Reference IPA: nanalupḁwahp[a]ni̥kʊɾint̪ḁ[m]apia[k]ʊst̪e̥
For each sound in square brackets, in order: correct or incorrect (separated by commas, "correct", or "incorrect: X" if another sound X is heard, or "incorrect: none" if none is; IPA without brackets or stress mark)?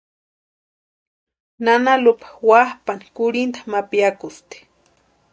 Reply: correct, correct, correct